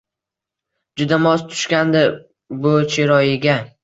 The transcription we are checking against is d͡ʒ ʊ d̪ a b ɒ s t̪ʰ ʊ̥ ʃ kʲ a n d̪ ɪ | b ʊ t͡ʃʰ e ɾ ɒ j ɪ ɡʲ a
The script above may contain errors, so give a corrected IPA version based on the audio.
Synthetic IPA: d͡ʒ ʊ d̪ a m ɒ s t̪ʰ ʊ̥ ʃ kʲ a n d̪ ɪ | b ʊ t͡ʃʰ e ɾ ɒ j ɪ ɡʲ a

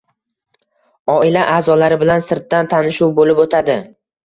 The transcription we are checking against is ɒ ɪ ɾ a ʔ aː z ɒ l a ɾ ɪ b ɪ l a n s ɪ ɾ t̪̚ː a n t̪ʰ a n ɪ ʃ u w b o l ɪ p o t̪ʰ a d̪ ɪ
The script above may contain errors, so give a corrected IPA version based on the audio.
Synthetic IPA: ɒ ɪ l a ʔ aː z ɒ l a ɾ ɪ b ɪ l a n s ɪ ɾ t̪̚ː a n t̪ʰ a n ɪ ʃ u w b o l ɪ p o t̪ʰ a d̪ ɪ

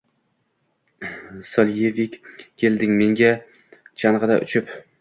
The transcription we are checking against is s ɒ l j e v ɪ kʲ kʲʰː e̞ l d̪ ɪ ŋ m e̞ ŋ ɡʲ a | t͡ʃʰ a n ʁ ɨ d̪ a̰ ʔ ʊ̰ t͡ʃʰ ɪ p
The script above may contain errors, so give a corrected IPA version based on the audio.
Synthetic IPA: s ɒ l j e v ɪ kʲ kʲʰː e̞ l d̪ ɪ ŋ m e̞ ŋ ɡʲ a | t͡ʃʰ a n ʁ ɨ d̪ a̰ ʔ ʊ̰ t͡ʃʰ ɪ p

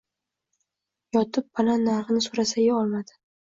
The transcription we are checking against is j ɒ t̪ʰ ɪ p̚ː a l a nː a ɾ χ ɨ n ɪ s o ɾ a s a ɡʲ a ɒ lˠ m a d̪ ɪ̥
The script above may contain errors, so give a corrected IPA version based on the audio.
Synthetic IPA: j ɒ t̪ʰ ɪ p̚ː a l a nː a ɾ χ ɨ n ɪ s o ɾ a s a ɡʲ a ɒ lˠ m a d̪ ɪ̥

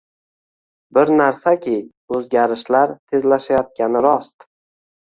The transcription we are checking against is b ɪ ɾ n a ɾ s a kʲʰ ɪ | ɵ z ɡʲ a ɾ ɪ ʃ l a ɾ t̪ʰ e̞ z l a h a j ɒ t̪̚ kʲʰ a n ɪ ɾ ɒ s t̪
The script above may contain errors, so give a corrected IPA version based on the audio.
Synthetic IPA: b ɪ ɾ n a ɾ s a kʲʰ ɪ | ɵ z ɡʲ a ɾ ɪ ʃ l a ɾ t̪ʰ e̞ z l a ʃ a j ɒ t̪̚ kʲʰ a n ɪ ɾ ɒ s t̪

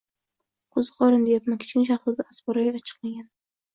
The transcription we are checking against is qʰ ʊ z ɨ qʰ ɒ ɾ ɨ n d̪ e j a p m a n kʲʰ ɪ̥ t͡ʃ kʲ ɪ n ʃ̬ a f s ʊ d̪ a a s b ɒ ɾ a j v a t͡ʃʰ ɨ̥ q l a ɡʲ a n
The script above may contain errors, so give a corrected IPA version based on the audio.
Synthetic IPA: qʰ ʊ z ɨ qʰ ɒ ɾ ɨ n d̪ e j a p m a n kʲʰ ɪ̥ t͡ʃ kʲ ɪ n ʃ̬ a χ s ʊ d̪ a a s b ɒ ɾ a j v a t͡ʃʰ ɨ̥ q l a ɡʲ a n

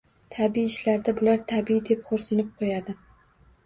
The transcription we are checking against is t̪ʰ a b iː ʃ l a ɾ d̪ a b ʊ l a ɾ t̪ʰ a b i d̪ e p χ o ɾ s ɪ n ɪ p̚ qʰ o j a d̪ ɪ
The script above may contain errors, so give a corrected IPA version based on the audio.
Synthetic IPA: t̪ʰ a b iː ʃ l a ɾ d̪ a b ʊ l a ɾ t̪ʰ a b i d̪ e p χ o ɾ s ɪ n ɪ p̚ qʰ o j a d̪ ɪ

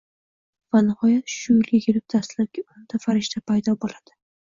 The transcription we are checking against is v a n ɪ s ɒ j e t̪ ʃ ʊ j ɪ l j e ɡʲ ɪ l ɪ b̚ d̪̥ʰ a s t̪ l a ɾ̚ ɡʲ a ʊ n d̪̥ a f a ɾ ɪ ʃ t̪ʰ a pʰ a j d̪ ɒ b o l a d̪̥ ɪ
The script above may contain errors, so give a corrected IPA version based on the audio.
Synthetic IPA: v a n ɪ h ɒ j a t̪ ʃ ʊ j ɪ l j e ɡʲ ɪ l ɪ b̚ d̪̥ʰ a s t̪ l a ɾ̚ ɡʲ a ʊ n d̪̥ a f a ɾ ɪ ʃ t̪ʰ a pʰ a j d̪ ɒ b o l a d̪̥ ɪ

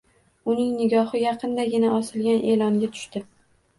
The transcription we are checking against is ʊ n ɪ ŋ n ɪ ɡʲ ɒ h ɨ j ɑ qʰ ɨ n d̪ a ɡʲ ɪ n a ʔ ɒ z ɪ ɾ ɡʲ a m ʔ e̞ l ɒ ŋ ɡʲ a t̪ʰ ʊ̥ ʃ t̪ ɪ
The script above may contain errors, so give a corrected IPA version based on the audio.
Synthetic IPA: ʊ n ɪ ŋ n ɪ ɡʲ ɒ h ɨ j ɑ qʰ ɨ n d̪ a ɡʲ ɪ n a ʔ ɒ s ɪ l ɡʲ a n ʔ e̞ l ɒ ŋ ɡʲ a t̪ʰ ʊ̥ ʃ t̪ ɪ

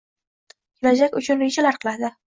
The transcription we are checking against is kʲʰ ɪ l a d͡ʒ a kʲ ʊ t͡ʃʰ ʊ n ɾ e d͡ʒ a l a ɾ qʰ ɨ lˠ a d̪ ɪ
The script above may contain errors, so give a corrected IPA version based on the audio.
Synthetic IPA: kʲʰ ɪ l a d͡ʒ a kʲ ʊ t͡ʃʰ ʊ n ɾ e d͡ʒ a l a ɾ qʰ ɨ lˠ a d̪ ɪ

